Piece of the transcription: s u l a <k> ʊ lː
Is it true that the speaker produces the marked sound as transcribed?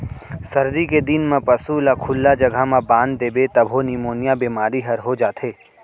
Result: no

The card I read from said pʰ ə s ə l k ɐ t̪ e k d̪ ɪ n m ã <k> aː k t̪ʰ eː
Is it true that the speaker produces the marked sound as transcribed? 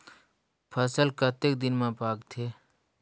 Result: no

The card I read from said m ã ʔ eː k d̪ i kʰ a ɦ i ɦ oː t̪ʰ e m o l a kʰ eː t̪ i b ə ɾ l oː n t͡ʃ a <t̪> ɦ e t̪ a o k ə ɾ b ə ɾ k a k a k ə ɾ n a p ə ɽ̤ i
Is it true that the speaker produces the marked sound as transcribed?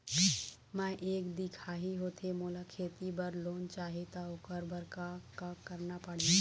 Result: no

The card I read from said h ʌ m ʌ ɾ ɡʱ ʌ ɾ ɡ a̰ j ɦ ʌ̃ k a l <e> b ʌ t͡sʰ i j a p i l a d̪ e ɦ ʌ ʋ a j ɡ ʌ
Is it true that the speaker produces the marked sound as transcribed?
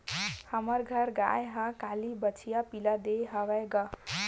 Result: no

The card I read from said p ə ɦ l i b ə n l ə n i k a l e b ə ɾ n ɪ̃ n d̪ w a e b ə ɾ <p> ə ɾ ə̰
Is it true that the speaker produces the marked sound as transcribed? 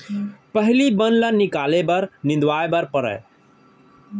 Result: yes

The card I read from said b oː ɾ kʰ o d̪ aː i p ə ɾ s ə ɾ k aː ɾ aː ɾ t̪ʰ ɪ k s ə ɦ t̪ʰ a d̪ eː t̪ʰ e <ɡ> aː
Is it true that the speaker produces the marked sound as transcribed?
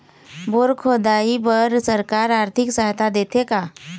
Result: no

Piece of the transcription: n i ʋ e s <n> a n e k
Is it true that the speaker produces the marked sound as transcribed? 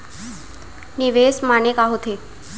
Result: no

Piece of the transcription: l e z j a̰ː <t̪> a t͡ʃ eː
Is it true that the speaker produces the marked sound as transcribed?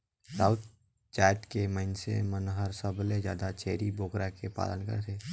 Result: no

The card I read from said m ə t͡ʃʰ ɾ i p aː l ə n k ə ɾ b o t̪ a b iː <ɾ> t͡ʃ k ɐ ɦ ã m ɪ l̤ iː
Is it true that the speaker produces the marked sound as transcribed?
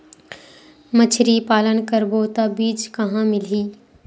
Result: no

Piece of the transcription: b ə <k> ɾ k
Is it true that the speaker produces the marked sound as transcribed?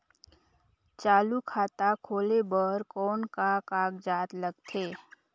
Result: no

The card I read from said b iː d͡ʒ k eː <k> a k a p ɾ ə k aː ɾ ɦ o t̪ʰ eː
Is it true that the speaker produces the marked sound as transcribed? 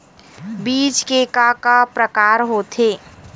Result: yes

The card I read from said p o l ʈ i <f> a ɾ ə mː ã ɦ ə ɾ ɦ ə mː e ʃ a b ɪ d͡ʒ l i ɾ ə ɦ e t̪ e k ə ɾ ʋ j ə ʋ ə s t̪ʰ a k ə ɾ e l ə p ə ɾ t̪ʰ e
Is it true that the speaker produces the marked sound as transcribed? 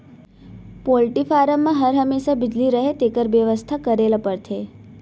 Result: yes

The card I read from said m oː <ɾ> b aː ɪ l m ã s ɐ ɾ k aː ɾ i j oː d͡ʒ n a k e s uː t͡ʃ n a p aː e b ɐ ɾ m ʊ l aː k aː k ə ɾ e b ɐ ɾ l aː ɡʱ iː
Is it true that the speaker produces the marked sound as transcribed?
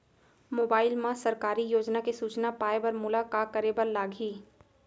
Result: no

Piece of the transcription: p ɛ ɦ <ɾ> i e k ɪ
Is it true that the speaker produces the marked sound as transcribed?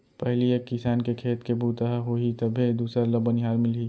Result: no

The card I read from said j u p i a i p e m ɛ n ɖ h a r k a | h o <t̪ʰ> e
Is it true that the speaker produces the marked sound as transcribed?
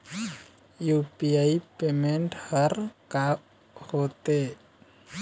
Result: no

